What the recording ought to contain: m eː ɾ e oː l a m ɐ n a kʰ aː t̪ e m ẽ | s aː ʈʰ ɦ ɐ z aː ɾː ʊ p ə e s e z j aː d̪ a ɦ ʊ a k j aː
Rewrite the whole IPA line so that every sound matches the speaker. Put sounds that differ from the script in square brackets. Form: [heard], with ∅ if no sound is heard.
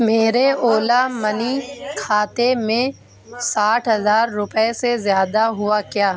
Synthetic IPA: m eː ɾ e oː l a m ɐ n [i] kʰ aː t̪ e m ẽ | s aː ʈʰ ɦ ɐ z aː ɾː ʊ p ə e s e z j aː d̪ a ɦ ʊ a k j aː

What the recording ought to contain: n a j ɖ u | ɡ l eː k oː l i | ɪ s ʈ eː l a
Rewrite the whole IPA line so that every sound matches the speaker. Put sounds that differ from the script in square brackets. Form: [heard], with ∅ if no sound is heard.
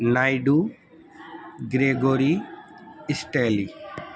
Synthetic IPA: n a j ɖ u | ɡ [ɾ] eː [ɡ] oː [ɾ] i | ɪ s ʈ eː l [i]

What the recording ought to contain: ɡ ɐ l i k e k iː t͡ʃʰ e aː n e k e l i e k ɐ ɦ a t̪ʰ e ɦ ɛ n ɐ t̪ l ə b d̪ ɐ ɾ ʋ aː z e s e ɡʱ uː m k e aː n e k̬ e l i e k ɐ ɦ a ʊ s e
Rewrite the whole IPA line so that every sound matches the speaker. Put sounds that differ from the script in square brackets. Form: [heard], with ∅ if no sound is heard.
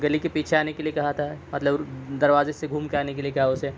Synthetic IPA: ɡ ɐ l i k e [p] iː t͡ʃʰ e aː n e k e l i e k ɐ ɦ a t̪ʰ [a] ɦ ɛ [m] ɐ t̪ l ə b d̪ ɐ ɾ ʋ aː z e s e ɡʱ uː m k e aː n e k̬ e l i e k ɐ ɦ a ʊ s e

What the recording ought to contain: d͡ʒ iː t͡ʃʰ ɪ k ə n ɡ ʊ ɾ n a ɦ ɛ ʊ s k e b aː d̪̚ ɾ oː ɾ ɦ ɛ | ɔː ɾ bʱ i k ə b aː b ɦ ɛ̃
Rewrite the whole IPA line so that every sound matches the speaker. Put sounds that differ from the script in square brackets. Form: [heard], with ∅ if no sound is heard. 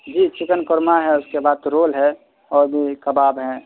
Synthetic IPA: d͡ʒ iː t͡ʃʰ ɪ k ə n [k] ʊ ɾ [m] a ɦ ɛ ʊ s k e b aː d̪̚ ɾ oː [l] ɦ ɛ | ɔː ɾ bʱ i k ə b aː b ɦ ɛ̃

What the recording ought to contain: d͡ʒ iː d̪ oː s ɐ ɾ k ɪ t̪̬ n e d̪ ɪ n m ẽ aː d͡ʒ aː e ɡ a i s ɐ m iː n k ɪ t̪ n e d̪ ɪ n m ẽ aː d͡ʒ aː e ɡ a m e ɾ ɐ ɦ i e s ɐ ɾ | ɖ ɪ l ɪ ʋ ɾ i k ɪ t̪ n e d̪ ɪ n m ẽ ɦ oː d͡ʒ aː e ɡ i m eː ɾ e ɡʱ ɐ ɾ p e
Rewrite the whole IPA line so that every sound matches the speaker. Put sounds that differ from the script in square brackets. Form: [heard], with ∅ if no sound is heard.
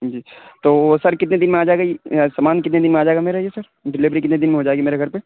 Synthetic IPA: d͡ʒ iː [t̪] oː s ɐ ɾ k ɪ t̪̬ n e d̪ ɪ n m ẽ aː d͡ʒ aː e ɡ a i s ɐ m [aː] n k ɪ t̪ n e d̪ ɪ n m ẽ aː d͡ʒ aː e ɡ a m e ɾ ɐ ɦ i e s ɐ ɾ | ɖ ɪ l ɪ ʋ ɾ i k ɪ t̪ n e d̪ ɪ n m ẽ ɦ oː d͡ʒ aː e ɡ i m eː ɾ e ɡʱ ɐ ɾ p e

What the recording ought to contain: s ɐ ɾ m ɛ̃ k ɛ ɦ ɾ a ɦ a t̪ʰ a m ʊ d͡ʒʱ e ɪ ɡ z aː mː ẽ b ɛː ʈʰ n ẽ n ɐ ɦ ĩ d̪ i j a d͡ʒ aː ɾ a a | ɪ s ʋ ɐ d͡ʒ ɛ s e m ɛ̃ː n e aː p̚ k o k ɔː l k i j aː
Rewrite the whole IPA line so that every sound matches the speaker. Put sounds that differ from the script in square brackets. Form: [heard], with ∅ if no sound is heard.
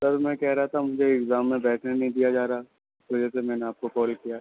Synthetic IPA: s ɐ ɾ m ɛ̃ k ɛ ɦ ɾ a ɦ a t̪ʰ a m ʊ d͡ʒʱ e ɪ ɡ z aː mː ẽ b ɛː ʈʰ n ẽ n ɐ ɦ ĩ d̪ i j a d͡ʒ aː ɾ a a | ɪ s ʋ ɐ d͡ʒ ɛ s e m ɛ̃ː n e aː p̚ k o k ɔː l k i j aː

